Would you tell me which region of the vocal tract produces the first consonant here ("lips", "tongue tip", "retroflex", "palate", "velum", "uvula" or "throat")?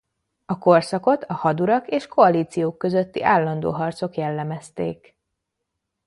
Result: velum